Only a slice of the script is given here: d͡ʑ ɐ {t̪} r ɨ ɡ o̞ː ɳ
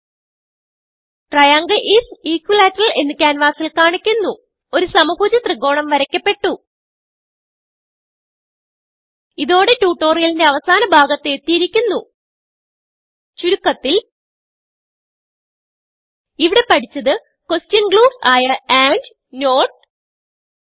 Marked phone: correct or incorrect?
correct